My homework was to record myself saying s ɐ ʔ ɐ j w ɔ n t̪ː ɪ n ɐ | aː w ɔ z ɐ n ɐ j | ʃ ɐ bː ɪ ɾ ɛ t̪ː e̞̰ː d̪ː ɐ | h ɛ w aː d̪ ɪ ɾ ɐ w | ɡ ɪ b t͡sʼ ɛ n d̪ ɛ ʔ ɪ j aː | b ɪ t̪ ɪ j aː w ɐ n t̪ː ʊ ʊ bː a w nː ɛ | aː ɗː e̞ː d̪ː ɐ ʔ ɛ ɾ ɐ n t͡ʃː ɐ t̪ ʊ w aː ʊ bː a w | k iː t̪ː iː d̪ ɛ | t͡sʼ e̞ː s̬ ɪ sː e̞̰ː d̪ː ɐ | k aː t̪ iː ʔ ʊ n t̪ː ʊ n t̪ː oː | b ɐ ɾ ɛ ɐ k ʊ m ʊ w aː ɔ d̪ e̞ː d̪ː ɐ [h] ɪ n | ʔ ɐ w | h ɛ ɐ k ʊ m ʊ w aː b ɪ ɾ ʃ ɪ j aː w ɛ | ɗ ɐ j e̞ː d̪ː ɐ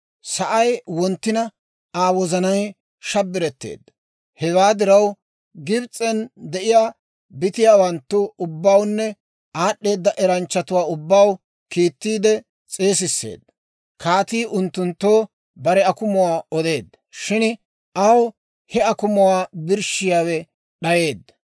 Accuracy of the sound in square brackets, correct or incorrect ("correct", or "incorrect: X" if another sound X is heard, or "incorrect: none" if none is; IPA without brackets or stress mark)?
incorrect: ʃ